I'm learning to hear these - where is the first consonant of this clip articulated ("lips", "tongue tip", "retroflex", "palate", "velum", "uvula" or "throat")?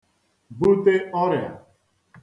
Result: lips